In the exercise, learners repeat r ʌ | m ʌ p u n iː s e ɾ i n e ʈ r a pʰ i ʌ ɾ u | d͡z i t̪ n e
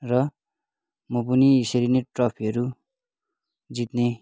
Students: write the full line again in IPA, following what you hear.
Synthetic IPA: r ʌ | m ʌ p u n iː s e ɾ i n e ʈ r ʌ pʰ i ʌ ɾ u | d͡z i t̪ n e